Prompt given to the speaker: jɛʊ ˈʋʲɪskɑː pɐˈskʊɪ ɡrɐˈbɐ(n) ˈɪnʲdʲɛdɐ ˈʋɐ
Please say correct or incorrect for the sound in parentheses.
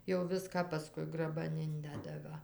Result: correct